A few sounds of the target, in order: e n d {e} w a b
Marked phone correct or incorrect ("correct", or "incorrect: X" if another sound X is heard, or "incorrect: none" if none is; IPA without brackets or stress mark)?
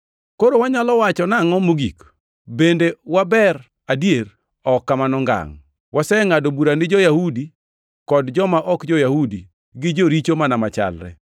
correct